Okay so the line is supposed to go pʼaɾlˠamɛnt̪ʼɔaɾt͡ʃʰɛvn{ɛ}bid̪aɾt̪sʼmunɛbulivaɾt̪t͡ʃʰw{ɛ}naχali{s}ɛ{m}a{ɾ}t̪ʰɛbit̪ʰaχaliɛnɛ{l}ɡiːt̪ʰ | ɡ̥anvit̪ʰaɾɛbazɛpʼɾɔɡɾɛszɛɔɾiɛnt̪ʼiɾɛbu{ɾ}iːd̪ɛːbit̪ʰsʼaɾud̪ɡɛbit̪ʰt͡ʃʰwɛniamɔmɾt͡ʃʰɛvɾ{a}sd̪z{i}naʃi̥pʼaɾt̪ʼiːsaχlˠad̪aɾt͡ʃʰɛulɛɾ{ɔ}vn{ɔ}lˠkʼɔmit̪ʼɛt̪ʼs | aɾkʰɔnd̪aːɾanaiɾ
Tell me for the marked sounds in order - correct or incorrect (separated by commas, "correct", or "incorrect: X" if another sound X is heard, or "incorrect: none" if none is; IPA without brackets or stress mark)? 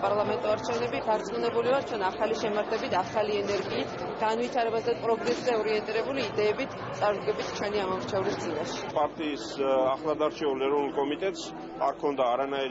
correct, correct, incorrect: ʃ, correct, correct, incorrect: ɾ, incorrect: l, incorrect: i, correct, correct, incorrect: u